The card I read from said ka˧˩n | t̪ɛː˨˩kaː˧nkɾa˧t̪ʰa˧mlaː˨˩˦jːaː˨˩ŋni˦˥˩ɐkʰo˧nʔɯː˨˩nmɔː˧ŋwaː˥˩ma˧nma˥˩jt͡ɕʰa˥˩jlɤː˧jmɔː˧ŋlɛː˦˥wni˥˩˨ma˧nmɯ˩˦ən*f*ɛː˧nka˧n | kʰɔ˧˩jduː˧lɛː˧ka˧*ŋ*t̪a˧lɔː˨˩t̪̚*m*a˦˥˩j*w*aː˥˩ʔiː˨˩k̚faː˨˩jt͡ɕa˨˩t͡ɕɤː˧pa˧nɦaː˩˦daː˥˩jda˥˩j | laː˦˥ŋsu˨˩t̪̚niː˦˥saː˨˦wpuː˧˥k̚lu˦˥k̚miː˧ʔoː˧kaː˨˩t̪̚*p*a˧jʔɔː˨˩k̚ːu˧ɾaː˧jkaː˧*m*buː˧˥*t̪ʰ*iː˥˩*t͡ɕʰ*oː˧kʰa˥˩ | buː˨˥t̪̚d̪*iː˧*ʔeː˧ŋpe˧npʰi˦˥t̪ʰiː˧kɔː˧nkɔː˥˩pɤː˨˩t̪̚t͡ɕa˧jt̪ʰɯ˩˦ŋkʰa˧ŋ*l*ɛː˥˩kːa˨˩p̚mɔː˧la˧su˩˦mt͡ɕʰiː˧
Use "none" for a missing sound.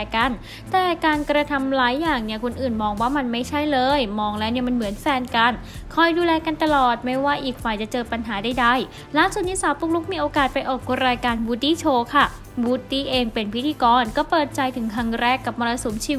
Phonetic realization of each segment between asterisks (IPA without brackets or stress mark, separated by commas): f, n, m, w, p, n, t̪, t͡ɕʰ, iː˥˩, ɾ